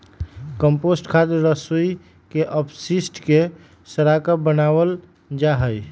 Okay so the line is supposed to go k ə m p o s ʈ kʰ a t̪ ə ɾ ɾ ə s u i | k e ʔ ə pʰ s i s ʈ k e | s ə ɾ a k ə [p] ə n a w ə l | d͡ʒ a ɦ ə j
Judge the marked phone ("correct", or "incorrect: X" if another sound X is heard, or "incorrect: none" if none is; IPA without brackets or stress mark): incorrect: b